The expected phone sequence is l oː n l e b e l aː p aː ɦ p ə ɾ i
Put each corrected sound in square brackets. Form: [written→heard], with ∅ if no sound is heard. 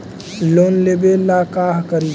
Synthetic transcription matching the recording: l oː n l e b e l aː [p→k] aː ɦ [p→k] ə ɾ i